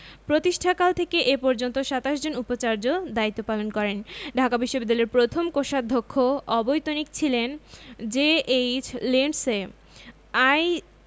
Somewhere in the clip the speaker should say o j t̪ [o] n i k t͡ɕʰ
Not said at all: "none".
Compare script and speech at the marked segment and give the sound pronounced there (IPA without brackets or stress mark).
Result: o